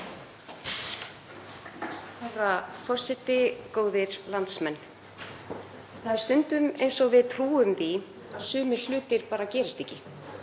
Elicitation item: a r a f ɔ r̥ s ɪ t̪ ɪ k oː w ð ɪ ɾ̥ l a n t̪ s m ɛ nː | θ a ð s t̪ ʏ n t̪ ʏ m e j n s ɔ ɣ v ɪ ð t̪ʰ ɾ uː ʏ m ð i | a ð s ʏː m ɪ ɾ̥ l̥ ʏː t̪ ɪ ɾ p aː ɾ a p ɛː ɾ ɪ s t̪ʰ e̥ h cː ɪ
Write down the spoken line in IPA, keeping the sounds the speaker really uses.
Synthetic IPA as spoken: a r a f ɔ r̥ s ɪ t̪ ɪ k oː w ð ɪ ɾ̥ l a n t̪ s m ɛ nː | θ a ð s t̪ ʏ n t̪ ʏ m e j n s ɔ ɣ v ɪ ð t̪ʰ ɾ uː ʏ m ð i | a ð s ʏː m ɪ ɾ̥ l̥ ʏː t̪ ɪ ɾ p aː ɾ a c ɛː ɾ ɪ s t̪ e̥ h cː ɪ